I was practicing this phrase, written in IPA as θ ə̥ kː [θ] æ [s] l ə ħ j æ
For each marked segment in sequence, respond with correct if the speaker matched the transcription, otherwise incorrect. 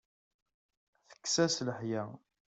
incorrect: s, correct

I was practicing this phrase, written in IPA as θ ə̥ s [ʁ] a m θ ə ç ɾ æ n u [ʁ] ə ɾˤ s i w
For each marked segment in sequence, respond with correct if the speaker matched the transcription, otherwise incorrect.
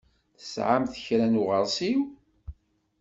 incorrect: ʕ, correct

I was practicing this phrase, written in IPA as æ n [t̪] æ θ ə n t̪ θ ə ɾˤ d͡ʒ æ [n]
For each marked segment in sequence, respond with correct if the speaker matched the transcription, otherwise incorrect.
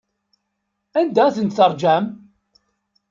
incorrect: d̪, incorrect: m

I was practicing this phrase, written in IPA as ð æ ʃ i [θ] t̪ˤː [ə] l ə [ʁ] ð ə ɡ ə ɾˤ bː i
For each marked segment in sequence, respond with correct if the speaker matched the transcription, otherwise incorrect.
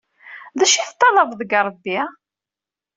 correct, incorrect: ɑ, incorrect: v

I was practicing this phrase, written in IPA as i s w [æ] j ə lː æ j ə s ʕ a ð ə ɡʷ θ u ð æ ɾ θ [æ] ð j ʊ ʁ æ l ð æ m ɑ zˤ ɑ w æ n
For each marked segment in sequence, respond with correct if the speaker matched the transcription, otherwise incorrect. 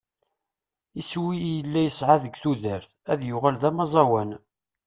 incorrect: i, correct

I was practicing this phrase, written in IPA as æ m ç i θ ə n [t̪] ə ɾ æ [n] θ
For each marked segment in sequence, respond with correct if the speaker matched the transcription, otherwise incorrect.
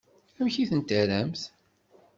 correct, incorrect: m

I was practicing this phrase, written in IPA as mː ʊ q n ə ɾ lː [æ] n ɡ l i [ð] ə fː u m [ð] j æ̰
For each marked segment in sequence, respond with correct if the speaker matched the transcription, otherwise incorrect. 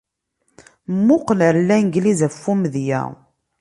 correct, incorrect: z, correct

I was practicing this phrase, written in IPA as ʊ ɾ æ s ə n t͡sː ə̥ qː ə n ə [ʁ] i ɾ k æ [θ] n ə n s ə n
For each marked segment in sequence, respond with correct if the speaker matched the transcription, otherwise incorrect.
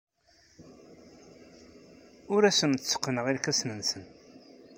correct, incorrect: s

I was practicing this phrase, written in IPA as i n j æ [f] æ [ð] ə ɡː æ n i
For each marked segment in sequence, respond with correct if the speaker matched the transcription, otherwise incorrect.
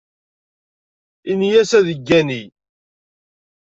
incorrect: s, correct

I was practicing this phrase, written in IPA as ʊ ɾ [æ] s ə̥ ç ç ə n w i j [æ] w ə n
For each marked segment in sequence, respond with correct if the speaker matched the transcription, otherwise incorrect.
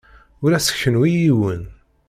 correct, incorrect: i

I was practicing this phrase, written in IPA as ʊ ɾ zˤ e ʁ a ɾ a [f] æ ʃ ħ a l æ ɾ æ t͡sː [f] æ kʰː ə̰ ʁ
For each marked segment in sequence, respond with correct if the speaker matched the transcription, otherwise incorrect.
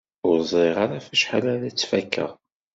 correct, correct

